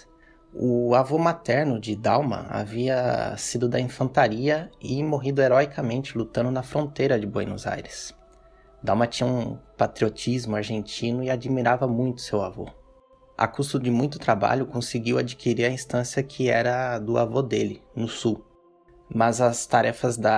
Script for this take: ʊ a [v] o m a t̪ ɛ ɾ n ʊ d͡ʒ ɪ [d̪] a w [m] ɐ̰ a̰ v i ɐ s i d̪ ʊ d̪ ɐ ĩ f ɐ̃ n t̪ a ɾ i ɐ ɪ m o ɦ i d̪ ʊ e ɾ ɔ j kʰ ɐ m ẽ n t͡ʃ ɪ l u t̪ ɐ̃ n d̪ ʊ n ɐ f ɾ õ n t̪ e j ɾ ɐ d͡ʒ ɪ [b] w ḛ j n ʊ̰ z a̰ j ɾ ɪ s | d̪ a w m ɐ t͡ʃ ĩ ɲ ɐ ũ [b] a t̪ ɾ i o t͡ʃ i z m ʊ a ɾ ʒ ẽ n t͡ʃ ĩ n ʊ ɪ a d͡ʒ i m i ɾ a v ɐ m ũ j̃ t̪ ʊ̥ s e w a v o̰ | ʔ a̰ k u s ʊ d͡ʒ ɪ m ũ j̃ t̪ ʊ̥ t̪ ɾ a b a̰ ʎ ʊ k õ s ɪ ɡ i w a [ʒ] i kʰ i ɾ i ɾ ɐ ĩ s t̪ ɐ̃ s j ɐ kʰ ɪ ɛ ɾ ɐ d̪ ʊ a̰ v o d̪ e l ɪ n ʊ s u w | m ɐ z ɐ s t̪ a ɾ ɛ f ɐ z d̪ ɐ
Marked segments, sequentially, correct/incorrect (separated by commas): correct, correct, correct, correct, incorrect, incorrect